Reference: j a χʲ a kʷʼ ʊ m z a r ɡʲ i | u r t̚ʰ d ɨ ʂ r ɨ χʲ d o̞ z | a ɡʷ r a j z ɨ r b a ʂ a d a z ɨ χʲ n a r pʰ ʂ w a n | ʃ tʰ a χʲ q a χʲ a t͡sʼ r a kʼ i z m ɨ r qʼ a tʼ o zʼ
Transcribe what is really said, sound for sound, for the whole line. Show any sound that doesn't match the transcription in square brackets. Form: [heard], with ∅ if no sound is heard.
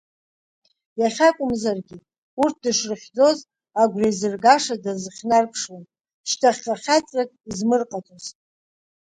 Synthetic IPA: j a χʲ a kʷʼ ʊ m z a r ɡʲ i | u r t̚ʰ d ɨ ʂ r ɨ χʲ [d͡z] o̞ z | a ɡʷ r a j z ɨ r [ɡ] a ʂ a d a z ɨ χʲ n a r pʰ ʂ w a n | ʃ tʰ a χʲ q a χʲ a t͡sʼ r a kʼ i z m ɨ r qʼ a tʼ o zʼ